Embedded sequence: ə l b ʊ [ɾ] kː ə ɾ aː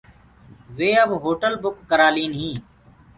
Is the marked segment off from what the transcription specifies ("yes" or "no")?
yes